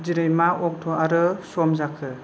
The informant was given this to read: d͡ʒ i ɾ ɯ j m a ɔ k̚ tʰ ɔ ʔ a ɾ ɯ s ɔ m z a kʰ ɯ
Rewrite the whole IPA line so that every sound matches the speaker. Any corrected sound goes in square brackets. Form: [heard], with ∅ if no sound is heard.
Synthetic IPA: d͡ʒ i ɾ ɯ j m a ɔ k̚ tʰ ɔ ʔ a ɾ ɯ s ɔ m z a kʰ ɯ